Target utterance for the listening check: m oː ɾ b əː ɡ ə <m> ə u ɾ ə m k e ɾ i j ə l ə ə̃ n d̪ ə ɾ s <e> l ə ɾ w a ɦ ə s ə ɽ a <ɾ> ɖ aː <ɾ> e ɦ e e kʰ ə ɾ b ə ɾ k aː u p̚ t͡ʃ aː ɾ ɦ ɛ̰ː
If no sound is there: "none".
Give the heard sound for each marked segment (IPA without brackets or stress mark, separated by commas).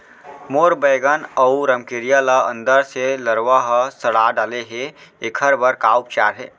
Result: n, e, none, l